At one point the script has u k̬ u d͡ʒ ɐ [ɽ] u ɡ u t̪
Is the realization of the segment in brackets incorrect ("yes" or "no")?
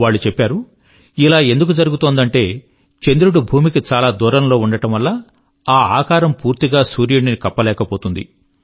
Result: yes